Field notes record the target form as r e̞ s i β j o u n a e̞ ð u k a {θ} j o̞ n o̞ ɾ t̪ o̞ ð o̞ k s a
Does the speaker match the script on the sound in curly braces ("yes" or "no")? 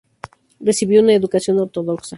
no